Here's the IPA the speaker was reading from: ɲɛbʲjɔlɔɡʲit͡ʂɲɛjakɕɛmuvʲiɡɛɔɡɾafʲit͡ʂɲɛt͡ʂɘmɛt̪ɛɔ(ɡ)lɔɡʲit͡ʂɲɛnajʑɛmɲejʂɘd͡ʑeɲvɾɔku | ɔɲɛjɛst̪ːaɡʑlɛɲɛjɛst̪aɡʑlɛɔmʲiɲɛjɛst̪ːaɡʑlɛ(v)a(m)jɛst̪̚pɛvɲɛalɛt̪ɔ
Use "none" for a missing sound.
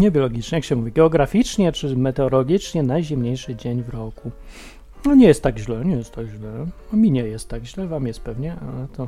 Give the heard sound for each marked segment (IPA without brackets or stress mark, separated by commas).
none, v, m